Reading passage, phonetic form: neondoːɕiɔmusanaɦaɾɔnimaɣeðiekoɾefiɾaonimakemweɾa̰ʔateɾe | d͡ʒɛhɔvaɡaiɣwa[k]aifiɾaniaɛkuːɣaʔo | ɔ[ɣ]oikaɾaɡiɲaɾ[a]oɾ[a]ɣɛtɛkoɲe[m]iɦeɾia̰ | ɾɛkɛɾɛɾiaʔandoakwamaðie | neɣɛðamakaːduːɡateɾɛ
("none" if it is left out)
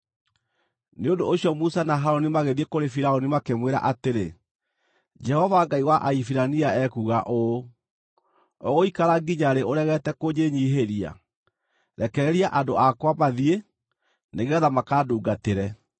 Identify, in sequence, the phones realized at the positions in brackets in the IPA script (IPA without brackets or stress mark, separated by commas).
ʔ, ɣ, e, ɛ, ɲ